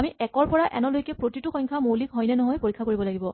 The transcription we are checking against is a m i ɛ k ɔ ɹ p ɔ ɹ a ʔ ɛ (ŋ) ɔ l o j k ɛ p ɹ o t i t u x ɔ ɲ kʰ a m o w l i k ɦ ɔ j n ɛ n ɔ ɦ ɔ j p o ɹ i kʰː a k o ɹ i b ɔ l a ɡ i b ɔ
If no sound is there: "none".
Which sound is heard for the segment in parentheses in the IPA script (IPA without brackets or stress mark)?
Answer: n